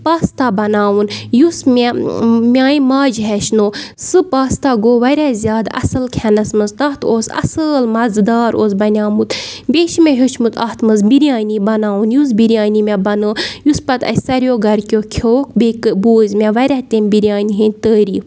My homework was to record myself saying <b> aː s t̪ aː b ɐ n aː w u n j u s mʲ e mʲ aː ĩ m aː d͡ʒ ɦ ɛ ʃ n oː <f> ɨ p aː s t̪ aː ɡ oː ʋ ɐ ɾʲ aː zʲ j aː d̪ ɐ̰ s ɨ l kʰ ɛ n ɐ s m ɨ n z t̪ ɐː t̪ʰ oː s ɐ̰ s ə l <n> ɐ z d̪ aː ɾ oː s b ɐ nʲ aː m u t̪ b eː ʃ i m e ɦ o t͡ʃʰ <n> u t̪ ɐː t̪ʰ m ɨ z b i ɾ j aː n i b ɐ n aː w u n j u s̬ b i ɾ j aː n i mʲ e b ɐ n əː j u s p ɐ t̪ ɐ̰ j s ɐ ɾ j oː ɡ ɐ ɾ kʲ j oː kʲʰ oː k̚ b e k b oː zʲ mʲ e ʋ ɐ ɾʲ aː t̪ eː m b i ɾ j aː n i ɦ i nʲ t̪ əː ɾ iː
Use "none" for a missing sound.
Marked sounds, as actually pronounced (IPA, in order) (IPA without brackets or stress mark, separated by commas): p, s, m, m